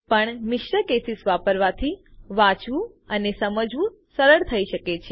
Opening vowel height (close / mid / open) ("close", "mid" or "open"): mid